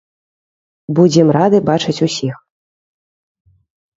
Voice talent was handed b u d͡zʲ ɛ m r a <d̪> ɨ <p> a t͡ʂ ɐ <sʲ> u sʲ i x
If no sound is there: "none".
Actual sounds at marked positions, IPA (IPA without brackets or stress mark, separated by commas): d̪, b, t͡sʲ